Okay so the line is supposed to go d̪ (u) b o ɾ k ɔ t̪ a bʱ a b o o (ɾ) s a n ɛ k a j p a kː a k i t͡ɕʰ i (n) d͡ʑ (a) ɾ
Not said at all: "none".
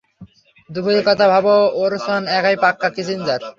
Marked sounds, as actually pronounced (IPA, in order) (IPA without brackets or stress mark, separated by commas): u, ɾ, n, a